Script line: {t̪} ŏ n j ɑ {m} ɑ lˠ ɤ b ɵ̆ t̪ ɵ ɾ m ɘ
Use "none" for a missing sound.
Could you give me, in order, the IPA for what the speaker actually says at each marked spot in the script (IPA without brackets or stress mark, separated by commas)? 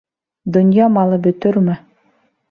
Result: d̪, m